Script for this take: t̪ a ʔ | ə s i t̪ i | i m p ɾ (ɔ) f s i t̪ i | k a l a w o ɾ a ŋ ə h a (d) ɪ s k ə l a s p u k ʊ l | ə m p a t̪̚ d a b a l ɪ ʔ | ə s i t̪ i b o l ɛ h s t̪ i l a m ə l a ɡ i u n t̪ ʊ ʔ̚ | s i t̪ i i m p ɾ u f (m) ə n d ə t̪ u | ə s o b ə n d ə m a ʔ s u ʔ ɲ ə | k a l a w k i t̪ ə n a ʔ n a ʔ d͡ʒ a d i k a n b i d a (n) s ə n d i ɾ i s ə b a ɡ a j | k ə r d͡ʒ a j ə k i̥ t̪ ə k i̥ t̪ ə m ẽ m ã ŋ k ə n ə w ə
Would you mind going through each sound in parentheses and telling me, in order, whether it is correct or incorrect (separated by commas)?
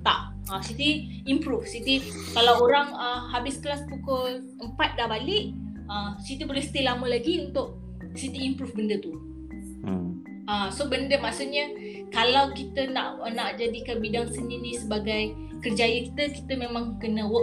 incorrect, incorrect, incorrect, incorrect